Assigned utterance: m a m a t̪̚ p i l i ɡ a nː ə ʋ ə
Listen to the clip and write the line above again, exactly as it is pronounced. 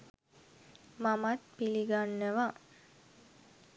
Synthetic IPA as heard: m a m a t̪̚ p i l i ɡ a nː ə ʋ a